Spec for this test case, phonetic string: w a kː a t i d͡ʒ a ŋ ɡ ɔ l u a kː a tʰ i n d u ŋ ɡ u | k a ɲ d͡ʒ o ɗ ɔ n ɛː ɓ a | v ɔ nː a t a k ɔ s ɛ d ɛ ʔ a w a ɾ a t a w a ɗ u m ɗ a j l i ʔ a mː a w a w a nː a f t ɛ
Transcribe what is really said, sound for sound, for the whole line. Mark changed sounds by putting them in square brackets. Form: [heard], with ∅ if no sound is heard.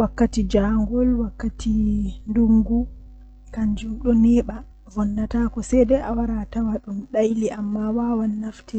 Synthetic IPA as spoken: w a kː a t i d͡ʒ a ŋ ɡ ɔ l [w] a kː a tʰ i n d u ŋ ɡ u | k a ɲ d͡ʒ [u] ɗ ɔ n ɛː ɓ a | v ɔ nː a t a k ɔ s ɛ d ɛ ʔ a w a ɾ a t a w a ɗ u m ɗ a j l i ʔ a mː a w a w a nː a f t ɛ

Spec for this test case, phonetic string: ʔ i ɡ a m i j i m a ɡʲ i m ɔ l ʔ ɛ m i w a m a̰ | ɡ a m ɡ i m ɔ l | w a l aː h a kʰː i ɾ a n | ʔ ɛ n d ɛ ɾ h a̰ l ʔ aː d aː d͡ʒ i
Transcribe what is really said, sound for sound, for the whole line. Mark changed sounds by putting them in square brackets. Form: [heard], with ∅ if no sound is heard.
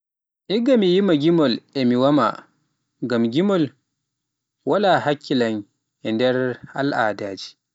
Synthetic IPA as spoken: ʔ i ɡ a m i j i m a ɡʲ i m ɔ l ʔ ɛ m i w a m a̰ | ɡ a m ɡ i m ɔ l | w a l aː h a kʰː i [l] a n | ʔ ɛ n d ɛ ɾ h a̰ l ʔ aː d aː d͡ʒ i

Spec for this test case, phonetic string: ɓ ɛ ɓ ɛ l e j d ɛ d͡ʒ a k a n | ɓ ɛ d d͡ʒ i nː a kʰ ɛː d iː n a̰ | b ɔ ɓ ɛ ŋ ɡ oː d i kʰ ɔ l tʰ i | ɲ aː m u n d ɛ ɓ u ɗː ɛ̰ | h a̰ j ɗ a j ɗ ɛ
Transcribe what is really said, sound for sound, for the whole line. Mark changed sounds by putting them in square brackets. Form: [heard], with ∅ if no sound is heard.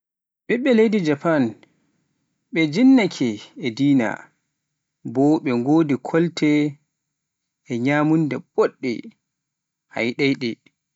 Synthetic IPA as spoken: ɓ ɛ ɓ ɛ l e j d [i] d͡ʒ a [p] a n | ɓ ɛ [∅] d͡ʒ i nː a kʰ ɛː d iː n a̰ | b ɔ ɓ ɛ ŋ ɡ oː d i kʰ ɔ l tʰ [ɛ] | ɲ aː m u n d ɛ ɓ [ɔ] ɗː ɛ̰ | h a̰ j ɗ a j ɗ ɛ

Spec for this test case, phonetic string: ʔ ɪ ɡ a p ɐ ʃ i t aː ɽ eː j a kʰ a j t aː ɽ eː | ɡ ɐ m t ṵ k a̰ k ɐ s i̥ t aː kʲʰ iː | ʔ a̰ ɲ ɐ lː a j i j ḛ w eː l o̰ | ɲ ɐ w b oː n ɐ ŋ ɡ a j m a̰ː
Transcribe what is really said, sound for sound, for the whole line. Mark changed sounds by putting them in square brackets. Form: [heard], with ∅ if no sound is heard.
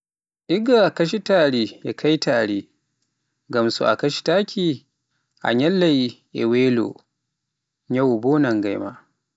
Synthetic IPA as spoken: ʔ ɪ ɡ a [k] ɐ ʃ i t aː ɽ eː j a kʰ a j t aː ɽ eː | ɡ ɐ m [s] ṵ [ʔ] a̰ k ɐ [ʃ] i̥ t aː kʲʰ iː | ʔ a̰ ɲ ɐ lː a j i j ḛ w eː l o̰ | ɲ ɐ w b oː n ɐ ŋ ɡ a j m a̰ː

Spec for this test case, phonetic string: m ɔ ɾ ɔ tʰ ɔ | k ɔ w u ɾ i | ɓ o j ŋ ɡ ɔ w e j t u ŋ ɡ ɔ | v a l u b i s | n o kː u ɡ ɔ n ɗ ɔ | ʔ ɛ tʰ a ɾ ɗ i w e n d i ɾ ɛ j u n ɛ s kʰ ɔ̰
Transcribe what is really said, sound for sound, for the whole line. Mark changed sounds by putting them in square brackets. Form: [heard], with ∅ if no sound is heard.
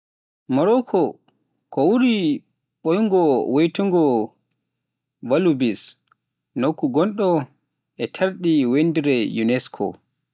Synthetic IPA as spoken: m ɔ ɾ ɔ [kʰ] ɔ | k ɔ w u ɾ i | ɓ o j ŋ ɡ ɔ w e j t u ŋ ɡ ɔ | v a l u b i s | n o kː u ɡ ɔ n ɗ ɔ | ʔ ɛ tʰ a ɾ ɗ i w e n d i ɾ ɛ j u n ɛ s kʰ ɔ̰

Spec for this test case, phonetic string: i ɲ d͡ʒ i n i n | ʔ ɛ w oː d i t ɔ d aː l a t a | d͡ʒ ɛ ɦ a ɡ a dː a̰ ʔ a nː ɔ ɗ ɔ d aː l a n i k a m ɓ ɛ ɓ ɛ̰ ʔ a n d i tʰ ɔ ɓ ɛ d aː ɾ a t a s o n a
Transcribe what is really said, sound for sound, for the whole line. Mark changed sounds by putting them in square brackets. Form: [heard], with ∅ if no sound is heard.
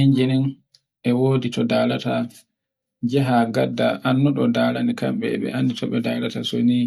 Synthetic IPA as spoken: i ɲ d͡ʒ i n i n | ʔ ɛ w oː d i t ɔ d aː l a t a | d͡ʒ ɛ ɦ a ɡ a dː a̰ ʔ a nː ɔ ɗ ɔ d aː l a n i k a m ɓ ɛ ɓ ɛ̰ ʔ a n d i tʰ ɔ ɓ ɛ d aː [l] a t a s o n [i]

